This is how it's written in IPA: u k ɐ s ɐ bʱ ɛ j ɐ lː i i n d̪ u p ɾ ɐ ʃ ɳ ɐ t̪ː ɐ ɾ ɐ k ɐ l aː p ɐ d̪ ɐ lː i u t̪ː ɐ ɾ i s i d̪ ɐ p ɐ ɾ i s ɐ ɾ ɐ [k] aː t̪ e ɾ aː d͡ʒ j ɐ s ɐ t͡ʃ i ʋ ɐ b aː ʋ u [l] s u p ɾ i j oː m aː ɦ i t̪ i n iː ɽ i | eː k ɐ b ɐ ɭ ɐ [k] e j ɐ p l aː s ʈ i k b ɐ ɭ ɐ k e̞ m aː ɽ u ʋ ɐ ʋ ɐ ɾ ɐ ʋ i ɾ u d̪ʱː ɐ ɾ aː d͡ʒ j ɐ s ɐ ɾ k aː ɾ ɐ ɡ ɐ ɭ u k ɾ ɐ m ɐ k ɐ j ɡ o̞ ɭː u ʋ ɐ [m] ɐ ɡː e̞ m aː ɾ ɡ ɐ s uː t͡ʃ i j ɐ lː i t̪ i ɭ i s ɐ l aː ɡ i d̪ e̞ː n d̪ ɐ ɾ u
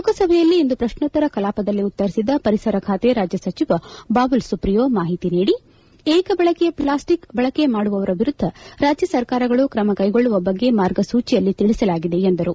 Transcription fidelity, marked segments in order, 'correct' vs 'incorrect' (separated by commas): incorrect, correct, correct, incorrect